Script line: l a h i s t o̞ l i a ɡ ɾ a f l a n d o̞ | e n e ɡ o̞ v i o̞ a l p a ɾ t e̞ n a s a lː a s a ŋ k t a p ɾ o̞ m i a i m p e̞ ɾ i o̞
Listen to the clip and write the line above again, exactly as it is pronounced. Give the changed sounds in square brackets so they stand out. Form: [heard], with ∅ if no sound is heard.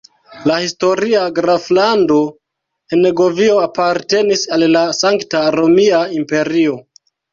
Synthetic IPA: l a h i s t o̞ [ɾ] i a ɡ ɾ a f l a n d o̞ | e n e ɡ o̞ v i o̞ a [∅] p a ɾ t e̞ n [i] s a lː a s a ŋ k t a [∅] ɾ o̞ m i a i m p e̞ ɾ i o̞